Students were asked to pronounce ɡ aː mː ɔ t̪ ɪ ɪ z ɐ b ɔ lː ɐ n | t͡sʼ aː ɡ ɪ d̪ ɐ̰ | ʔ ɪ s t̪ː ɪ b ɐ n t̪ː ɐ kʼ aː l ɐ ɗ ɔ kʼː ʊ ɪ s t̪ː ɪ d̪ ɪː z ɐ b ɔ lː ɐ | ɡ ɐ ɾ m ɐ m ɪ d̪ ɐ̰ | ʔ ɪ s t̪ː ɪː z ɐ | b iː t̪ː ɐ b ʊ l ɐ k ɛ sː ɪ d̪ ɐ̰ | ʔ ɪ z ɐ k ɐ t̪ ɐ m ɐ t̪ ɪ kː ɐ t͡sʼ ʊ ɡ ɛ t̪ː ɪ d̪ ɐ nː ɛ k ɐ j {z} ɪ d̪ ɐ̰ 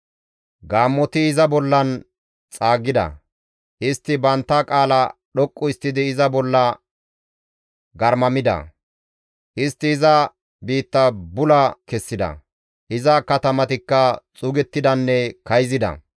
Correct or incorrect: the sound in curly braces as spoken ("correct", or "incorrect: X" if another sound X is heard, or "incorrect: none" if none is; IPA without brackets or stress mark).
correct